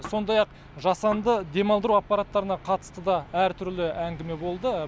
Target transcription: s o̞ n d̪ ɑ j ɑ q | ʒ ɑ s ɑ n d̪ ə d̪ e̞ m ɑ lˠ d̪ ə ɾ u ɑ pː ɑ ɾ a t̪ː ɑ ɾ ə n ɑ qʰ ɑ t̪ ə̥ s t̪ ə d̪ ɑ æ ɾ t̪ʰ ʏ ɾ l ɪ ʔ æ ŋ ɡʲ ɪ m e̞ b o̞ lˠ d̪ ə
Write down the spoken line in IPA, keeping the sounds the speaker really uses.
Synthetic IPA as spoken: s o̞ n d̪ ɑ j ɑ q | ʒ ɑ s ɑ n d̪ ə d̪ e̞ m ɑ lˠ d̪ ə ɾ u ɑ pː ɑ ɾ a t̪ː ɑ ɾ ə n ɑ qʰ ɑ t̪ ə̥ s t̪ ə d̪ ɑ æ ɾ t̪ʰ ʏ ɾ l ɪ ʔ æ ŋ ɡʲ ɪ m e̞ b o̞ lˠ d̪ ə